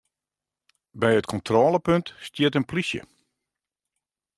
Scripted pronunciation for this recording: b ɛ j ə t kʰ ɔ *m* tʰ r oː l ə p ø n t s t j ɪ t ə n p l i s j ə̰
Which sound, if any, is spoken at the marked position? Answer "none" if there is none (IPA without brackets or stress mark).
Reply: n